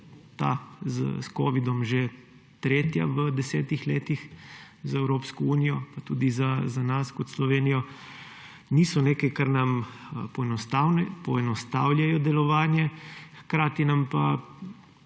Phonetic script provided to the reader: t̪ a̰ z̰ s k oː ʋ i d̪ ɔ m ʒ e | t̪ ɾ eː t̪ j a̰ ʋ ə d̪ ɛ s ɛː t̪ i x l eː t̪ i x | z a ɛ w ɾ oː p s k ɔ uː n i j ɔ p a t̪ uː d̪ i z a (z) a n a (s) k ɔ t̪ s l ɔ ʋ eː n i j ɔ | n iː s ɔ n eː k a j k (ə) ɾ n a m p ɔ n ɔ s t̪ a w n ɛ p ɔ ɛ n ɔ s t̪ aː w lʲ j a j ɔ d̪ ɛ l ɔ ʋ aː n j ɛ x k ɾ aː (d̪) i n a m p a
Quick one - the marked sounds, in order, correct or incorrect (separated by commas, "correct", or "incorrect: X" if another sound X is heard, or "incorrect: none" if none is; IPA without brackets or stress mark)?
correct, correct, incorrect: a, incorrect: t̪